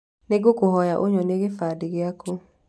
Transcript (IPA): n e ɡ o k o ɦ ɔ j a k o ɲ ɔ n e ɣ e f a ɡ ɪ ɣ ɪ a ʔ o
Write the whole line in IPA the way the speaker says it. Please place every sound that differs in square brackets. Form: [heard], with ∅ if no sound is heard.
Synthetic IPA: n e ɡ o k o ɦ ɔ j a [ʔ] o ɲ ɔ n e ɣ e f a [d] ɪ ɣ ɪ a [k] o